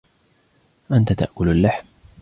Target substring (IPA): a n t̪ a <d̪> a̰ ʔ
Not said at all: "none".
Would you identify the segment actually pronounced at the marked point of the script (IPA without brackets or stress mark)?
t̪